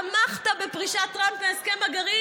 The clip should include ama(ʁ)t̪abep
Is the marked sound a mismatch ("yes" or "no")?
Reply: yes